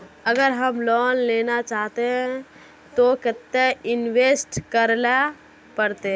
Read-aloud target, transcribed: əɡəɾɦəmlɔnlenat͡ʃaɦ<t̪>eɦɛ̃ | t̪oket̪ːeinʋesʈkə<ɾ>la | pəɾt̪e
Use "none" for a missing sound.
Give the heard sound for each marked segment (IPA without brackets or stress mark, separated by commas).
t̪, ɾ